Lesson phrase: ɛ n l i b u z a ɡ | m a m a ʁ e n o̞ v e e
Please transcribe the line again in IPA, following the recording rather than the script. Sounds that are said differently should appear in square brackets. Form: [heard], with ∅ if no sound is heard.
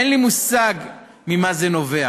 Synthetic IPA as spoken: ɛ n l i [m] u [s] a ɡ | m [i] m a [z] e n o̞ v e [a]